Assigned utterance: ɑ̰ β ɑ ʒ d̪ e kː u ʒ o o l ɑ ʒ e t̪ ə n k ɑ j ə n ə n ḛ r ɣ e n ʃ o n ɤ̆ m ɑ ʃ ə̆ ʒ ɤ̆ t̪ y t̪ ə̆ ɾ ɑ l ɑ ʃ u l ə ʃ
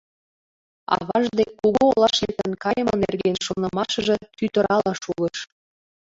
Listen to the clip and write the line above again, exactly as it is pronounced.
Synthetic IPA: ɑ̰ β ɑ ʒ d̪ e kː u ɣ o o l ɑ ʃ e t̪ ə n k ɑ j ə m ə n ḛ r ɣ e n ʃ o n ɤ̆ m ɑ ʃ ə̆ ʒ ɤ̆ t̪ y t̪ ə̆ ɾ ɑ l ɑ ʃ u l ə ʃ